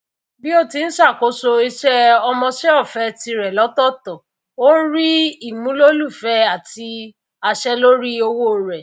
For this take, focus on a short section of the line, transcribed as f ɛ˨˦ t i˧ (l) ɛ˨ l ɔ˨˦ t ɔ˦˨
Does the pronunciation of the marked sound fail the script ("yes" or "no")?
yes